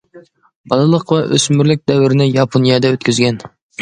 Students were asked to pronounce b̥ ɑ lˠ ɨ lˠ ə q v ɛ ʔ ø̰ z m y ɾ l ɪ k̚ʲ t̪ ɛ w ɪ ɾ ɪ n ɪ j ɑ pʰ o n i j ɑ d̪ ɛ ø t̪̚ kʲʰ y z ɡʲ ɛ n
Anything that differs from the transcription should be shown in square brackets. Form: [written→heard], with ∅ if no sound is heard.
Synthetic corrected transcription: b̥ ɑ lˠ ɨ lˠ ə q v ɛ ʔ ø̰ [z→s] m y ɾ l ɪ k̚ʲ [t̪→d̪] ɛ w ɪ ɾ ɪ n ɪ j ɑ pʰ o n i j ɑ d̪ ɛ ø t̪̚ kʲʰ y z ɡʲ ɛ n